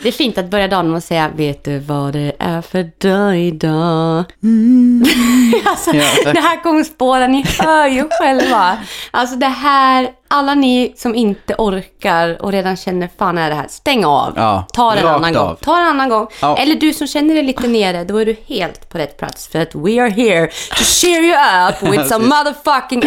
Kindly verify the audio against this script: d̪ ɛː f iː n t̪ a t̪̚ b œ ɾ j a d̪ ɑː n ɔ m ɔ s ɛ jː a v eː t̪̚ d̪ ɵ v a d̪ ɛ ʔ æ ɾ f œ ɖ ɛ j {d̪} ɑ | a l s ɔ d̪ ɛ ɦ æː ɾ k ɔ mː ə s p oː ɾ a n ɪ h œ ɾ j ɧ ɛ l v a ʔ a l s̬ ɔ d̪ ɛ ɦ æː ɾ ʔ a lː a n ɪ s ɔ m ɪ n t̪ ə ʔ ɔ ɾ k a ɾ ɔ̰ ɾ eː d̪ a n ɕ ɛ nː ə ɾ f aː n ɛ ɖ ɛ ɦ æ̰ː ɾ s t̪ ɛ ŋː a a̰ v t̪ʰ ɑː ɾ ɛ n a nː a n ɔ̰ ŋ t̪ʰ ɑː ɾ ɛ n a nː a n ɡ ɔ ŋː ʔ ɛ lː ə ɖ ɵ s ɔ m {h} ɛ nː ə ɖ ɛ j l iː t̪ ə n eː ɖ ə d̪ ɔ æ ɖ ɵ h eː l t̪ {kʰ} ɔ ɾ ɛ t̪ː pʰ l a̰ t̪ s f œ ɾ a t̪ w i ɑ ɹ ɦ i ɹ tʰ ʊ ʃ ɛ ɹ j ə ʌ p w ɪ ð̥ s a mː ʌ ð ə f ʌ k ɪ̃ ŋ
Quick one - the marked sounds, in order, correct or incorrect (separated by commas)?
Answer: correct, incorrect, incorrect